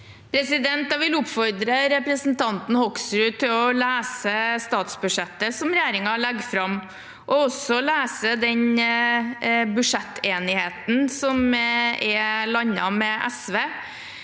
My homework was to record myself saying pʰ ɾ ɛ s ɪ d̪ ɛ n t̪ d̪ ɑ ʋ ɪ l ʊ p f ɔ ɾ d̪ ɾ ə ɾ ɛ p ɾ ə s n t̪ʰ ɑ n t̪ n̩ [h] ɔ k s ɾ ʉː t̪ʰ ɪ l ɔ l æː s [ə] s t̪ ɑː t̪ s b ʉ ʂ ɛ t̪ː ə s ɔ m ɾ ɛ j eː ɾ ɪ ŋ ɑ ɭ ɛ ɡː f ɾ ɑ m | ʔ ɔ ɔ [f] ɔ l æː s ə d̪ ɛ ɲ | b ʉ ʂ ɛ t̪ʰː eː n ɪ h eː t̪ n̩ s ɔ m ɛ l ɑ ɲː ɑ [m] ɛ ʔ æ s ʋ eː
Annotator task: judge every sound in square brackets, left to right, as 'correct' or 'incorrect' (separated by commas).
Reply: correct, correct, incorrect, correct